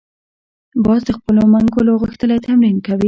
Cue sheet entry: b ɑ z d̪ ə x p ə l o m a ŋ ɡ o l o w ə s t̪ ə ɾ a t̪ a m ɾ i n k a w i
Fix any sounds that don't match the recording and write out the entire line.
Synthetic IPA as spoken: b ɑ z d̪ ə x p ə l o m a ŋ ɡ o l o ɣ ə x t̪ ə l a t̪ a m ɾ i n k a w i